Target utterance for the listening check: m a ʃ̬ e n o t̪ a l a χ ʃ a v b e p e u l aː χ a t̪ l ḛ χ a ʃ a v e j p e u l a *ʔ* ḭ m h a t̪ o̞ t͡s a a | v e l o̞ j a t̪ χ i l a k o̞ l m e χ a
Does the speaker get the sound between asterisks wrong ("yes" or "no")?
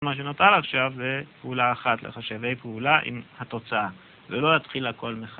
no